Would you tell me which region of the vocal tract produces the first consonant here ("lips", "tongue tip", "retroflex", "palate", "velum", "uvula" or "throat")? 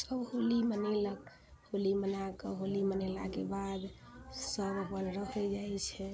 tongue tip